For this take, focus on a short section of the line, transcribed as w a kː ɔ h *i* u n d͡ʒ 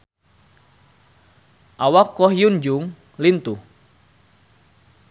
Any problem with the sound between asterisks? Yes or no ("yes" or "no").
yes